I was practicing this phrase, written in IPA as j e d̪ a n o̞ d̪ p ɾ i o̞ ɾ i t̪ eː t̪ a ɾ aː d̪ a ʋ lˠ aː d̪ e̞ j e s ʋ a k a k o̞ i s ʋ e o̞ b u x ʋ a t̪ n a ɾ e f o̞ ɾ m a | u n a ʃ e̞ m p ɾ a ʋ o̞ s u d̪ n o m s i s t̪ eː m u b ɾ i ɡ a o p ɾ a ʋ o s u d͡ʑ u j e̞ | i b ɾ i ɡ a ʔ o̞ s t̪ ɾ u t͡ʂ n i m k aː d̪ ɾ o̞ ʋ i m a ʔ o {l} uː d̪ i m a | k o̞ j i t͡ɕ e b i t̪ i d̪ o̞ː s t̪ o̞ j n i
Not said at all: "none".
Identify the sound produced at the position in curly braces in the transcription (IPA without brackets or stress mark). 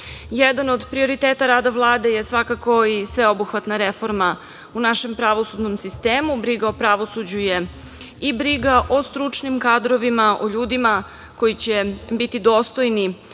ʎ